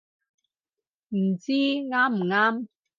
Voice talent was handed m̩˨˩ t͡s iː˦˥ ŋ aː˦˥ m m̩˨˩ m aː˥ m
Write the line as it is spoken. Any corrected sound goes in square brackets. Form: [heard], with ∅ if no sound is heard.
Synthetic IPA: m̩˨˩ t͡s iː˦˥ ŋ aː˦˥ m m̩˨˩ [ŋ] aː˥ m